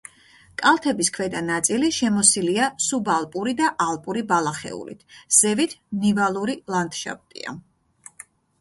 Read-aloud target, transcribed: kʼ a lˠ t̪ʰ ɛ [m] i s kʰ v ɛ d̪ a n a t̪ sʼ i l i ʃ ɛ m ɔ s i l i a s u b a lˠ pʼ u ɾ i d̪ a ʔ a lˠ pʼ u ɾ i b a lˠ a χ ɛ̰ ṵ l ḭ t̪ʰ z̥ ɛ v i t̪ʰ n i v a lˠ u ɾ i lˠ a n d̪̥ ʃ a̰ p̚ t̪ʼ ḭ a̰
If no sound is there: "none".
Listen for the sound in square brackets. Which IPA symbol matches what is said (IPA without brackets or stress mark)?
b